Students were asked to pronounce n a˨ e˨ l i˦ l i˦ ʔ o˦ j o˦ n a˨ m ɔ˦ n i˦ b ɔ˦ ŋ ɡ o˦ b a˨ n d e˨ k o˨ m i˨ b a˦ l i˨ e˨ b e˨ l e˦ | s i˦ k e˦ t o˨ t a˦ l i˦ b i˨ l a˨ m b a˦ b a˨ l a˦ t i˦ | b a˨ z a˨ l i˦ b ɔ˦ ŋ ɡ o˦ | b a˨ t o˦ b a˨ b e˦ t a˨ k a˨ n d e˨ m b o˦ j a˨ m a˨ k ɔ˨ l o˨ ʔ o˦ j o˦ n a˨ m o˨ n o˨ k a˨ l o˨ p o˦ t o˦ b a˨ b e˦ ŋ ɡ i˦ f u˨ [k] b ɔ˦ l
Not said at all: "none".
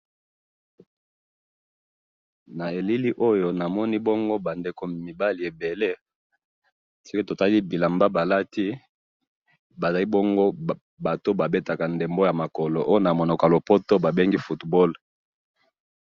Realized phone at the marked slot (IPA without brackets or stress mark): t